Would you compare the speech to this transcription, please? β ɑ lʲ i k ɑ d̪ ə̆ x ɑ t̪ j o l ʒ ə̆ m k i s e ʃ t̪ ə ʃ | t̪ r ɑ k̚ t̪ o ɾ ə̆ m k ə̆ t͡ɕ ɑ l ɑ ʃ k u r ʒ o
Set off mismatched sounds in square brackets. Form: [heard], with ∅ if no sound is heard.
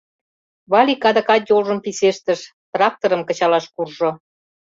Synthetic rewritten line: β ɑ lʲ i k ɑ d̪ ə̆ [k] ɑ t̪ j o l ʒ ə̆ m [p] i s e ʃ t̪ ə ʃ | t̪ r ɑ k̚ t̪ o ɾ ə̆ m k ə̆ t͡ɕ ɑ l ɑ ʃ k u r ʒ o